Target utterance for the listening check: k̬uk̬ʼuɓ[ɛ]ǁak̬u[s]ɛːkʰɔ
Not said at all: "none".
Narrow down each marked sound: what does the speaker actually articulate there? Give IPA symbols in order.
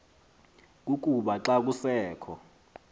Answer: a, s

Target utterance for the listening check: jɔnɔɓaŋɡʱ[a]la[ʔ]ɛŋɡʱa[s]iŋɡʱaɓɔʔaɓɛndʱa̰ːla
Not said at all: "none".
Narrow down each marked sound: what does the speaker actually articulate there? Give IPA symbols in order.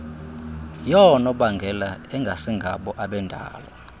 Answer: ɛ, none, s

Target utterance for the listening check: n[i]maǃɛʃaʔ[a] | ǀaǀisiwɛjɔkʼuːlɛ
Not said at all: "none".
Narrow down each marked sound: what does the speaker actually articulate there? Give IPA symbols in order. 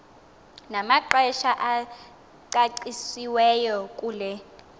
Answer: a, a

